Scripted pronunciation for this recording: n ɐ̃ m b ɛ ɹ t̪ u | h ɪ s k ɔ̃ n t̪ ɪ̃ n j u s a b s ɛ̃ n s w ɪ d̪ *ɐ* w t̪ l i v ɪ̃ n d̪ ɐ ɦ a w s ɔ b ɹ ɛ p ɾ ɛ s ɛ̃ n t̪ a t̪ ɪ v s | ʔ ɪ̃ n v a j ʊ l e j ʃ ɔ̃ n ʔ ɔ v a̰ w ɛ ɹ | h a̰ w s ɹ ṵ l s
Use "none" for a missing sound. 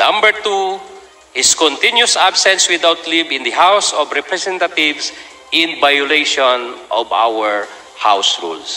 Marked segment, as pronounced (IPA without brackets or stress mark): a